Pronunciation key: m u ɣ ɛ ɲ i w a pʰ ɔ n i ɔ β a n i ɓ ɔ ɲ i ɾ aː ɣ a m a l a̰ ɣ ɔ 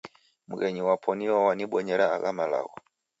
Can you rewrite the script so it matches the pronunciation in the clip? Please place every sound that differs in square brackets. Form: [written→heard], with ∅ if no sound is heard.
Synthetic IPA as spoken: m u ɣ ɛ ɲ i w a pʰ ɔ n i ɔ [β→w] a n i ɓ ɔ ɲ [i→ɛ] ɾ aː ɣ a m a l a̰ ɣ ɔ